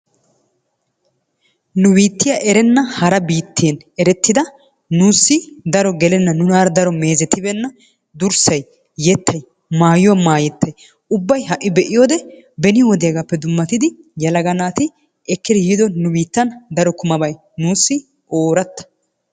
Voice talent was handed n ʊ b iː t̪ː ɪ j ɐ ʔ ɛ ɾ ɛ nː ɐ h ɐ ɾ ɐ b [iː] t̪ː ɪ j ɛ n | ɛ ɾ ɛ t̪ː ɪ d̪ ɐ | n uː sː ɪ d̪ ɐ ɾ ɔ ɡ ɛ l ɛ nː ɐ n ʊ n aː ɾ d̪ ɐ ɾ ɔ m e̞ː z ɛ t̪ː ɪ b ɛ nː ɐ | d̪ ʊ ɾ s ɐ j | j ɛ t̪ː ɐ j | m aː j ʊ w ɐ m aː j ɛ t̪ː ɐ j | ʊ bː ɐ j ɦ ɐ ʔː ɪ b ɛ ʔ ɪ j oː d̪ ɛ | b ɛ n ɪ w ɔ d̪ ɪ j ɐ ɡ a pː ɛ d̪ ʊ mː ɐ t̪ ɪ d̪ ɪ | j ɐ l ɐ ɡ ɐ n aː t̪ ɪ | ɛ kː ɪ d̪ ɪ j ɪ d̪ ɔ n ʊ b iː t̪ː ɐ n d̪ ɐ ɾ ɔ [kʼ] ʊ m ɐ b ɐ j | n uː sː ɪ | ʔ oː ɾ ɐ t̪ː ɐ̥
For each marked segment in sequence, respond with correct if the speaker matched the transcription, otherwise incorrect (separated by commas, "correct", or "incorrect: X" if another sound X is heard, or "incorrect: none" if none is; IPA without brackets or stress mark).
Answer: correct, incorrect: k